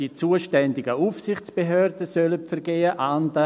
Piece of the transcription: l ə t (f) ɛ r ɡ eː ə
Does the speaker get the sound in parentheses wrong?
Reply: no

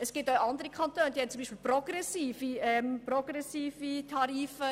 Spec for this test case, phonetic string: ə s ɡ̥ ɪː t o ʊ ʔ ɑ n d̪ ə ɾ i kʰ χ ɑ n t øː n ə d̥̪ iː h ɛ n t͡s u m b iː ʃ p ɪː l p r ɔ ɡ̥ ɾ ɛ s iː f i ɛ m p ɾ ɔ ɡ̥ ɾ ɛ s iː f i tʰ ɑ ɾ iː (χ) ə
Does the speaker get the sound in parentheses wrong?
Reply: yes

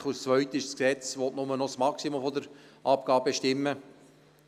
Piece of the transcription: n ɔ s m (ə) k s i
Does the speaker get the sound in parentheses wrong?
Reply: yes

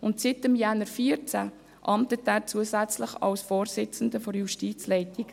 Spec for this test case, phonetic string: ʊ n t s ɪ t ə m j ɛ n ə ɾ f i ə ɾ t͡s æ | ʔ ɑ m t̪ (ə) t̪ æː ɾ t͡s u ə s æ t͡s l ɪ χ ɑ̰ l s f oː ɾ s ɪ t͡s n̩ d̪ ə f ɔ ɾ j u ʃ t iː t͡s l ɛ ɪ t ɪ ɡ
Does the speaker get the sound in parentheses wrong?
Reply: no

